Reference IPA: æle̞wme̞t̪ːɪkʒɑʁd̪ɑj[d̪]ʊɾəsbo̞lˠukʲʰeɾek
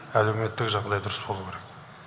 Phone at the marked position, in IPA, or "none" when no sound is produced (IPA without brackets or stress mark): d̪